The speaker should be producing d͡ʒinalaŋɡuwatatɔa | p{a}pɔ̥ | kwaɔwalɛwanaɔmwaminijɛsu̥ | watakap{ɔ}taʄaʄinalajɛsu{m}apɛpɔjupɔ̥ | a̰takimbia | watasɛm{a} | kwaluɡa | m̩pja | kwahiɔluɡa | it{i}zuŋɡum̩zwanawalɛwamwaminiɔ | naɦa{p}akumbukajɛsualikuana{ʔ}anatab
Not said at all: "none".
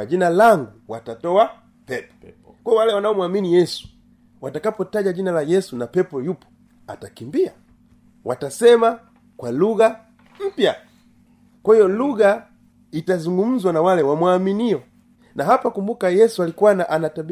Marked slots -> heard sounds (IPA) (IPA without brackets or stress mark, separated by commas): ɛ, ɔ, n, a, a, p, ʔ